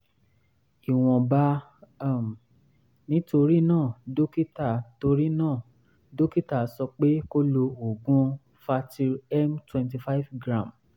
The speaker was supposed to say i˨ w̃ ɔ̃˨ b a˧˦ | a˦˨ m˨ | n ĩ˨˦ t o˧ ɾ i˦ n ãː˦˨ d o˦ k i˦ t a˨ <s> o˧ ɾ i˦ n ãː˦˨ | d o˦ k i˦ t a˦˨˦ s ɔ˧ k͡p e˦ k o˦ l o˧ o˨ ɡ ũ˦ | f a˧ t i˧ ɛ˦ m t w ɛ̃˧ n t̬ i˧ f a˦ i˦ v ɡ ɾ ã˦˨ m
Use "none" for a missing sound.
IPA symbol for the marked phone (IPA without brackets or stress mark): t